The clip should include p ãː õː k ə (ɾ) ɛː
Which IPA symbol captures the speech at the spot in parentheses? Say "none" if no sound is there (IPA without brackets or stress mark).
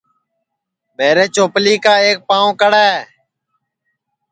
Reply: ɽ